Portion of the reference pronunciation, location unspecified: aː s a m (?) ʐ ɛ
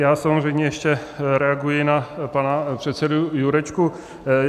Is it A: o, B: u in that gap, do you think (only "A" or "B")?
A